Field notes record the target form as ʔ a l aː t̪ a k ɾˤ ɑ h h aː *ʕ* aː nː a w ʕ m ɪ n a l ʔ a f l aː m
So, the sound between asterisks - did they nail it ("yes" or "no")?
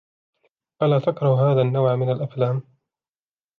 no